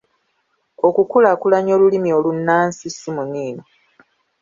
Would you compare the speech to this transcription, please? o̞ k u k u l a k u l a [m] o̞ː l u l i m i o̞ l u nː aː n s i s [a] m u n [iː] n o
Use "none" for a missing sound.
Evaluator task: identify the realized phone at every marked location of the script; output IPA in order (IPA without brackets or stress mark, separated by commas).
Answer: ɲ, i, iː